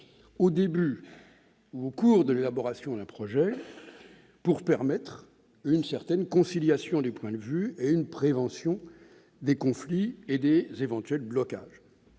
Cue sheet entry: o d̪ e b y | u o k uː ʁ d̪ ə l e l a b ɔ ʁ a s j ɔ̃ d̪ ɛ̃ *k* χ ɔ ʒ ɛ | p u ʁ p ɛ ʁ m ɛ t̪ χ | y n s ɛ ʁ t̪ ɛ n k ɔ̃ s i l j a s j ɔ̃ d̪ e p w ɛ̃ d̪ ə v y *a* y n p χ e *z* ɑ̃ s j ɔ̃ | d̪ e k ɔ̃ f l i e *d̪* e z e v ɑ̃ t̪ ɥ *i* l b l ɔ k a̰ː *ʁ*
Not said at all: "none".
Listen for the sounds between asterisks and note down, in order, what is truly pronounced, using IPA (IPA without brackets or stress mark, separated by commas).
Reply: p, e, v, d̪, ɛ, ʒ